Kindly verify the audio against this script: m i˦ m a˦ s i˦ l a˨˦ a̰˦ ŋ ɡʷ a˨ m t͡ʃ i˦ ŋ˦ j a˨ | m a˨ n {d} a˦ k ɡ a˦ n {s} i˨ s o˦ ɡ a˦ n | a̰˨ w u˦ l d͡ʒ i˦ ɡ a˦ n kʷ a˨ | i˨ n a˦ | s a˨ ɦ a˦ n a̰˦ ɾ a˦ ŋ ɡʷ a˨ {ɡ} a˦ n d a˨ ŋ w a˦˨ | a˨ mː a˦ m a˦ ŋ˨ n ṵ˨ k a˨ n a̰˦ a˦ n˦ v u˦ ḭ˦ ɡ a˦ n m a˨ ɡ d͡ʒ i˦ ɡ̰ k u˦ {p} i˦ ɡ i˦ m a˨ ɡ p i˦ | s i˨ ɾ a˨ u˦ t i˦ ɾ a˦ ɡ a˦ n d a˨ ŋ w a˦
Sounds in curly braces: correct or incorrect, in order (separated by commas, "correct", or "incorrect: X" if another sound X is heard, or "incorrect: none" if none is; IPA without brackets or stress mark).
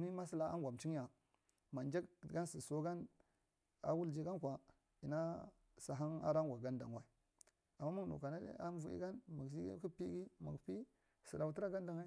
incorrect: d͡ʒ, correct, correct, correct